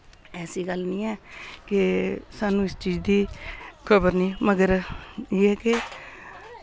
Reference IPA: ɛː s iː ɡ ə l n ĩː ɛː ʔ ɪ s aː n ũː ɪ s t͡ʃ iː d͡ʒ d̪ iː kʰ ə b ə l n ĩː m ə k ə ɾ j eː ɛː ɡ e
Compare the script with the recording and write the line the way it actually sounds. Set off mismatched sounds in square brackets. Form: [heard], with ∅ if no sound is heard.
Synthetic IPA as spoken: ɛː s iː ɡ ə l n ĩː ɛː [k] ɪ s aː n ũː ɪ s t͡ʃ iː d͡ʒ d̪ iː kʰ ə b ə [ɾ] n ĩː m ə [ɡ] ə ɾ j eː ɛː [k] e